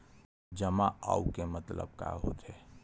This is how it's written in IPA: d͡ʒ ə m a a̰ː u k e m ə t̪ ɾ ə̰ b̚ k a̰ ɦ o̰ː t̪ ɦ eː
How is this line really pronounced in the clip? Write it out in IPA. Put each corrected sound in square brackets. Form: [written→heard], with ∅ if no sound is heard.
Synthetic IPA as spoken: d͡ʒ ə m a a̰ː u k e m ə t̪ [ɾ→l] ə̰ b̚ k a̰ ɦ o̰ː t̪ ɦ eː